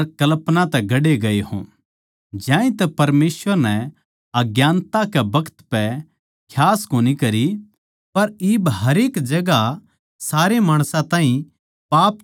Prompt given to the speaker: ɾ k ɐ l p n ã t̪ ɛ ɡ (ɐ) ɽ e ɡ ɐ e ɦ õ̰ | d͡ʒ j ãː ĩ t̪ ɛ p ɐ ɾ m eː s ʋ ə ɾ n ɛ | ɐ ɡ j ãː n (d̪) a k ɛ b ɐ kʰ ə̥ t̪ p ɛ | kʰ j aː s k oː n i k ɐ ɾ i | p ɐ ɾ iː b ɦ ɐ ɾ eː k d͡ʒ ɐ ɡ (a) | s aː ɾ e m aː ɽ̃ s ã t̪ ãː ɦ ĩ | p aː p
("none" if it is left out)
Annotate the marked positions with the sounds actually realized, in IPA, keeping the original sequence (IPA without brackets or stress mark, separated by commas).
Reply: ɐ, t̪, a